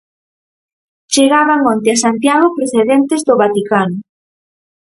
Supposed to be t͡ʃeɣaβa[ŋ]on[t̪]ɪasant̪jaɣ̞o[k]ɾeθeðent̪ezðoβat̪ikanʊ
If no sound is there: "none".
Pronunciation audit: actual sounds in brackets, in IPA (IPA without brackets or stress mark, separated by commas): ŋ, t̪, p